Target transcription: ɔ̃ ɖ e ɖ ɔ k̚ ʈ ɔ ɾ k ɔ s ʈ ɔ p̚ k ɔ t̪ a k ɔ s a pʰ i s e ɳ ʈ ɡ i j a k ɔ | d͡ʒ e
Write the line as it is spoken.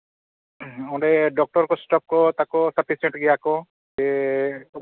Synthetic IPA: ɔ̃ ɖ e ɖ ɔ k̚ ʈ ɔ ɾ k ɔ s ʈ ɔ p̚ k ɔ t̪ a k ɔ s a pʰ i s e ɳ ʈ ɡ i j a k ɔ | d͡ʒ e